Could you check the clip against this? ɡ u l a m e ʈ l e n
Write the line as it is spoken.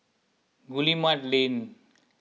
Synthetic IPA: ɡ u l i m a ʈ l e n